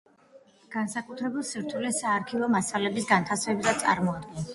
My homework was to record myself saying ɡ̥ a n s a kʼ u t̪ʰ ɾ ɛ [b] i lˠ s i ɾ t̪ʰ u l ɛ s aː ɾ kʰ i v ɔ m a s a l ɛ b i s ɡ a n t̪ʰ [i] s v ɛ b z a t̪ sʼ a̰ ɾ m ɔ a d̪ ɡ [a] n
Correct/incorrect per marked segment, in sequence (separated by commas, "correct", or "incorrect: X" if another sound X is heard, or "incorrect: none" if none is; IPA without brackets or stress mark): correct, incorrect: a, incorrect: ɛ